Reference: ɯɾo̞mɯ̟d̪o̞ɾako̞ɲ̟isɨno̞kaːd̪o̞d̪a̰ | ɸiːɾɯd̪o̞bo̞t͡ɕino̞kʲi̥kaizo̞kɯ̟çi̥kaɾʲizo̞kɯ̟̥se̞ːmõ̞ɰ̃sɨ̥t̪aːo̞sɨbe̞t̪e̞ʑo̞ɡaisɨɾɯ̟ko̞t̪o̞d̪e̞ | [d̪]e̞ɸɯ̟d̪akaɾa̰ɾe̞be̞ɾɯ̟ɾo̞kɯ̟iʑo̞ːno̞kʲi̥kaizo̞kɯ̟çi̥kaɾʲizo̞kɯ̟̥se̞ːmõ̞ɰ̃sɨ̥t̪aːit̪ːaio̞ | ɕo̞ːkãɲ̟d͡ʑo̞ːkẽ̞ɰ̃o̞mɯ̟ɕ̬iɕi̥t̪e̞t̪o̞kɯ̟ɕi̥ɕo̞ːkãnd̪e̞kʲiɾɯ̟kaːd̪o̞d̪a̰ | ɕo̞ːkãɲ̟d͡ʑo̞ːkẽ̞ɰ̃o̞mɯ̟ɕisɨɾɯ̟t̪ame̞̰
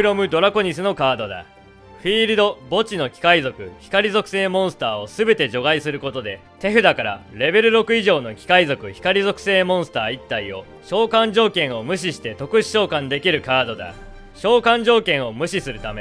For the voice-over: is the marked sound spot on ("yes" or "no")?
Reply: no